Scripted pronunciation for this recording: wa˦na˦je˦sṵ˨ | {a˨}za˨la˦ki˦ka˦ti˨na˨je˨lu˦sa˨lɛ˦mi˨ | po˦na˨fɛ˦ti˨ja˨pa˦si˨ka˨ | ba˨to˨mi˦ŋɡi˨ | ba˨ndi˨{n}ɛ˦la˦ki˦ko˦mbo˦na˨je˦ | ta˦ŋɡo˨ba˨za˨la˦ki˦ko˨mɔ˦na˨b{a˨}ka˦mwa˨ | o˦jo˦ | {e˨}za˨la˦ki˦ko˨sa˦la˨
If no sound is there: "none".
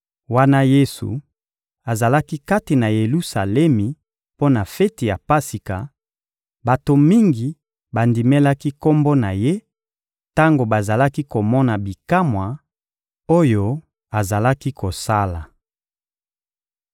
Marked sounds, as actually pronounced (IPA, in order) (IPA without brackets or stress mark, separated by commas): a˨, m, i˨, a˨